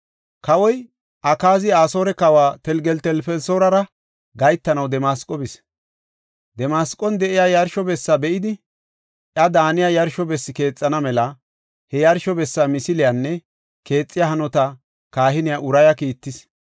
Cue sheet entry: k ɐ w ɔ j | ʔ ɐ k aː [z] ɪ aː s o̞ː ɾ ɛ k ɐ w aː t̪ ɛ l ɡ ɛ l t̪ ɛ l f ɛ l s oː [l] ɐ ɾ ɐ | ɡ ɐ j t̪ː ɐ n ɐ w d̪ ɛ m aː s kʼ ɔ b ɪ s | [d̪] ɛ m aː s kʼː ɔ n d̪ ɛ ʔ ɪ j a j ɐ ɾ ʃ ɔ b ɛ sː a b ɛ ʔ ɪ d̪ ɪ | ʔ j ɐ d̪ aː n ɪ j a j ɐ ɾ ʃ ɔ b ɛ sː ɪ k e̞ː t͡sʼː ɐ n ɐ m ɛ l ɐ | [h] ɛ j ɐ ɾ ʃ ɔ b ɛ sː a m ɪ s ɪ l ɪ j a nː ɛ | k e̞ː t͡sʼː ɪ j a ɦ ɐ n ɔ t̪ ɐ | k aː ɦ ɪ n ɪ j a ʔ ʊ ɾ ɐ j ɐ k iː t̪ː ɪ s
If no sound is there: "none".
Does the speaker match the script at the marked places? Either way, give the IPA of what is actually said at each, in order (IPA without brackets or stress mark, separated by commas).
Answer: z, ɾ, d̪, h